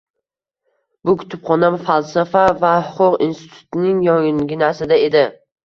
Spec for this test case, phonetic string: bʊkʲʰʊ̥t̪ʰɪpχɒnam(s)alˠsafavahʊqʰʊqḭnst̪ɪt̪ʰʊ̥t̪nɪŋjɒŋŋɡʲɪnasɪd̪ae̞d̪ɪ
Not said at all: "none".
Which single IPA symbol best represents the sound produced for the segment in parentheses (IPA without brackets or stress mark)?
f